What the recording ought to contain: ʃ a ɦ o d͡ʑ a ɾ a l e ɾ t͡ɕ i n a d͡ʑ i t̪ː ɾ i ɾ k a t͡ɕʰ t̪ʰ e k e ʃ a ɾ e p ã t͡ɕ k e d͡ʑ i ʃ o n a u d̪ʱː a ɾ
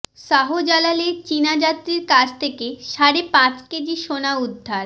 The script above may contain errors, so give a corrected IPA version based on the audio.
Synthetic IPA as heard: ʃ a ɦ o d͡ʑ a l a l e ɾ t͡ɕ i n a d͡ʑ a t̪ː ɾ i ɾ k a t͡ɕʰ t̪ʰ e k e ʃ a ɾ e p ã t͡ɕ k e d͡ʑ i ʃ o n a u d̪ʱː a ɾ